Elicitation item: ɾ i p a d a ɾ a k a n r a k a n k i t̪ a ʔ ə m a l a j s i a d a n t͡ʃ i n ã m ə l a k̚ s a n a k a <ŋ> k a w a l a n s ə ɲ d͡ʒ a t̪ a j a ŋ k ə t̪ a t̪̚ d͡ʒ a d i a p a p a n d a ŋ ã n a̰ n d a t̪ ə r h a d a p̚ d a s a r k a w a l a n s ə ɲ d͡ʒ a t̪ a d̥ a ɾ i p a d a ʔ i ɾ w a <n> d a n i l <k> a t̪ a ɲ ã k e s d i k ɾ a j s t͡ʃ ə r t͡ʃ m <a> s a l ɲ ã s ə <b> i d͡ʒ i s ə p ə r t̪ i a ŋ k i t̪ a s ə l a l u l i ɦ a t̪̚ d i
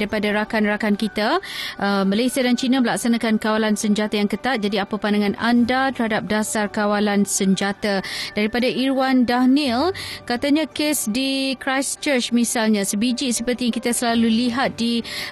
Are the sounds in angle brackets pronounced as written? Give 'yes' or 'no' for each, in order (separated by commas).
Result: no, yes, yes, no, yes